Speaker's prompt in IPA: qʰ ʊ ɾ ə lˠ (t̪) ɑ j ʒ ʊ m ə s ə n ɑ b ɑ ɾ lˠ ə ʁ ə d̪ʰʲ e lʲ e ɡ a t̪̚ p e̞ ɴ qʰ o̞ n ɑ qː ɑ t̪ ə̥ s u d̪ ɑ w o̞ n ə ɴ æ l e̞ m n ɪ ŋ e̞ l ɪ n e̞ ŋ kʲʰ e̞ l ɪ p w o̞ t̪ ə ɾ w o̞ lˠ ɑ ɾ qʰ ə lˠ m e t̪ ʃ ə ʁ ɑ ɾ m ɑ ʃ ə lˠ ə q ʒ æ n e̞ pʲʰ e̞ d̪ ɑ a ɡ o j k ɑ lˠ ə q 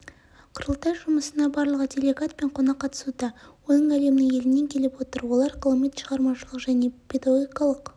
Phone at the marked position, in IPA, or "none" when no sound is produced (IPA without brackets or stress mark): t̪